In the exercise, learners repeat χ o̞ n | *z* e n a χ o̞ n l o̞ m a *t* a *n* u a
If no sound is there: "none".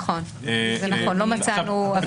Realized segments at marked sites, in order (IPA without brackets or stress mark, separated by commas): z, t͡s, n